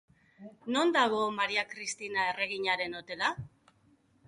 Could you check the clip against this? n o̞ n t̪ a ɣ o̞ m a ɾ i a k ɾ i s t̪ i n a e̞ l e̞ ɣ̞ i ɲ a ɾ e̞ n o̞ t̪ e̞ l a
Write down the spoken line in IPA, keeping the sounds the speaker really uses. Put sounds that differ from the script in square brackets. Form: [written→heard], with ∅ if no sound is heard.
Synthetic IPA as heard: n o̞ n [t̪→d̪] a ɣ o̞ m a ɾ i a k ɾ i s t̪ i n a e̞ [l→r] e̞ ɣ̞ i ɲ a ɾ e̞ n o̞ t̪ e̞ l a

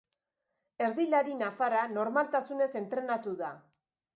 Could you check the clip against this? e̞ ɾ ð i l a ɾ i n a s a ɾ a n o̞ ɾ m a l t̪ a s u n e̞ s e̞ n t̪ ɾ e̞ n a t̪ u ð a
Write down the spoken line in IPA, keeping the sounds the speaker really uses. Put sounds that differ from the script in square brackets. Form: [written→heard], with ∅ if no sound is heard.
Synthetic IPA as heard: e̞ ɾ ð i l a ɾ i n a [s→f] a ɾ a n o̞ ɾ m a l t̪ a s u n e̞ s e̞ n t̪ ɾ e̞ n a t̪ u ð a

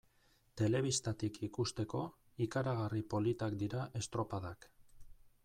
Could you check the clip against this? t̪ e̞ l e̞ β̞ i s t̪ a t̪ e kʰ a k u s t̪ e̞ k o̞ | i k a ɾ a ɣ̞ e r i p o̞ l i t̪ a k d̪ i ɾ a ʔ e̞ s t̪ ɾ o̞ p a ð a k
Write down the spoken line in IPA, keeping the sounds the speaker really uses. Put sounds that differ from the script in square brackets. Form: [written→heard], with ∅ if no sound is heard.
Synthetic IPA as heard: t̪ e̞ l e̞ β̞ i s t̪ a t̪ [e→i] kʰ [a→i] k u s t̪ e̞ k o̞ | i k a ɾ a ɣ̞ [e→a] r i p o̞ l i t̪ a k d̪ i ɾ a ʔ e̞ s t̪ ɾ o̞ p a ð a k

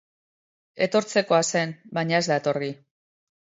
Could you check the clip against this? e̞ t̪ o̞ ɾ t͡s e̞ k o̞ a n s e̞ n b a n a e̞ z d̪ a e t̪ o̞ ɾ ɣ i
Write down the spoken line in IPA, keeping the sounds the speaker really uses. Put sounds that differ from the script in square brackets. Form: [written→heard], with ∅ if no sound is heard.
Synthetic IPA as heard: e̞ t̪ o̞ ɾ t͡s e̞ k o̞ a [n→∅] s e̞ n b a [n→ɲ] a e̞ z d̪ a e t̪ o̞ ɾ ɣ i

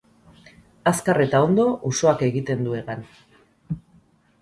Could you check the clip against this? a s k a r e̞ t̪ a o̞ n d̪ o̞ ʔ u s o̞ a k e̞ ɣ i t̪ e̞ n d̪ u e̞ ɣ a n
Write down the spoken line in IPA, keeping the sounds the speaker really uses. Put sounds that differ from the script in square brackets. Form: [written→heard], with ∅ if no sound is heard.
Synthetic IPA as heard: a s k a r e̞ t̪ a o̞ n d̪ o̞ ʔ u s o̞ a k e̞ ɣ i t̪ e̞ n d̪ u e̞ ɣ a n

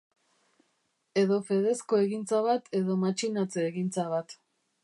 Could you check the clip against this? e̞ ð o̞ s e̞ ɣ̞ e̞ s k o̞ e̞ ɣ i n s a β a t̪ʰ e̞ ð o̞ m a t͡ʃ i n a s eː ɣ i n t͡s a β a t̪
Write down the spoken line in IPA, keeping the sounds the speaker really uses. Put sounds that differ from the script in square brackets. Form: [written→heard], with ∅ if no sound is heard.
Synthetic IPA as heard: e̞ ð o̞ [s→f] e̞ [ɣ̞→ð̞] e̞ s k o̞ e̞ ɣ i n [s→t͡s] a β a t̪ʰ e̞ ð o̞ m a t͡ʃ i n a [s→t͡s] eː ɣ i n t͡s a β a t̪

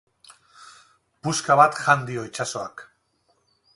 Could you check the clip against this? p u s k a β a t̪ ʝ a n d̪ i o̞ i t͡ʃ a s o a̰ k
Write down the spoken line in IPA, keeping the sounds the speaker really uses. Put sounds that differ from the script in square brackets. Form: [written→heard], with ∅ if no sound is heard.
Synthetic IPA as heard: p u s k a β a t̪ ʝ a n d̪ i o̞ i t͡ʃ a s o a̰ k

